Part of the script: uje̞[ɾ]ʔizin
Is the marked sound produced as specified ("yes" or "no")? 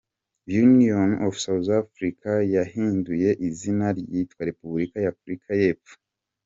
no